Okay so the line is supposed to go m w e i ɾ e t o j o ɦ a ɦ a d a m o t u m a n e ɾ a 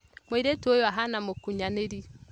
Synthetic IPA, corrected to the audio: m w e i ɾ e t o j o a ɦ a n a m o k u ɲ a n e ɾ i